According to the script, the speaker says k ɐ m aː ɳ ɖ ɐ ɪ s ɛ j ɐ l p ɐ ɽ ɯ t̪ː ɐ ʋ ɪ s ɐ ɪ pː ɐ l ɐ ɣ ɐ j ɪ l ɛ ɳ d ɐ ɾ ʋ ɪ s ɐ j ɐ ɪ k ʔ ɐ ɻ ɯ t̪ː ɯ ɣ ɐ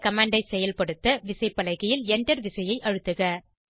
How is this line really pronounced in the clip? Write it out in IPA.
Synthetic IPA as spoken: k ɐ m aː ɳ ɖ ɐ ɪ s ɛ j ɐ l p ɐ ɽ ɯ t̪ː ɐ ʋ ɪ s ɐ ɪ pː ɐ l ɐ ɣ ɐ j ɪ l ɛ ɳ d ɐ ɾ ʋ ɪ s ɐ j ɐ ɪ ʔ ɐ ɻ ɯ t̪ː ɯ ɣ ɐ